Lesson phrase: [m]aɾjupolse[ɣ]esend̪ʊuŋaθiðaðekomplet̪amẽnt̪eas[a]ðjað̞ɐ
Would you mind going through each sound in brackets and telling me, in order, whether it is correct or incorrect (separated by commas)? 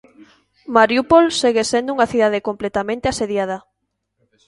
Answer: correct, correct, incorrect